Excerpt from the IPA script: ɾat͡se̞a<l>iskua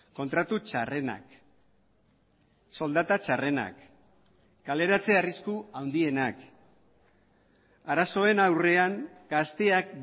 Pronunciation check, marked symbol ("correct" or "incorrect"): incorrect